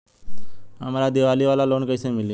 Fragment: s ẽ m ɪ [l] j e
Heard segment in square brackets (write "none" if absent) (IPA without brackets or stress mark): l